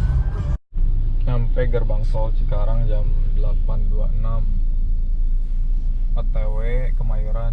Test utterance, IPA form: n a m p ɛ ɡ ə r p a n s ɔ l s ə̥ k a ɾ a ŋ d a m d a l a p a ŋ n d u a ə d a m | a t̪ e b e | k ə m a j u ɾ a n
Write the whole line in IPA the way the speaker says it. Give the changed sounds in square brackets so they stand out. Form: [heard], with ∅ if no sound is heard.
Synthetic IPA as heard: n a m p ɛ ɡ ə r [b] a [ŋ] s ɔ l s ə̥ k a ɾ a ŋ [d͡ʒ] a m d [ə] l a p a [∅] n d u a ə [n] a m | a t̪ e [w] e | k ə m a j u ɾ a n